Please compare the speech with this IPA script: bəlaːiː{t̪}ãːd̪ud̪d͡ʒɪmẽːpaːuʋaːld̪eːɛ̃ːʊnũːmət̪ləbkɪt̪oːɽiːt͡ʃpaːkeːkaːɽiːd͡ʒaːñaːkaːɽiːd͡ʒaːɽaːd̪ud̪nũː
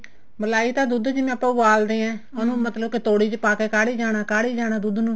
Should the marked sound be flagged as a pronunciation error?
no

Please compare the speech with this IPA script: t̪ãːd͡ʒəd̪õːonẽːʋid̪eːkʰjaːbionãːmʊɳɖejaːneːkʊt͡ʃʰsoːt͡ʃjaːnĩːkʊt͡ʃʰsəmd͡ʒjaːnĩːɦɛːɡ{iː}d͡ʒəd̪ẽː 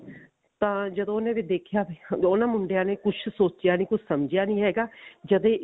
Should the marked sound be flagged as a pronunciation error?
yes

